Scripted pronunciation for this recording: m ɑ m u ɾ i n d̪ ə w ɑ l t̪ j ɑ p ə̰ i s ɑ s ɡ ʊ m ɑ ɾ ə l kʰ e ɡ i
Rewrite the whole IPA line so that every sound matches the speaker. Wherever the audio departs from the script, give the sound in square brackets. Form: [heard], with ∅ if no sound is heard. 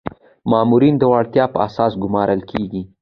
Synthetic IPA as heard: m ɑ m u ɾ i n d̪ ə w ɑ [ɽ] t̪ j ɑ p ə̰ [a] s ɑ s ɡ ʊ m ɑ ɾ ə l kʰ e ɡ i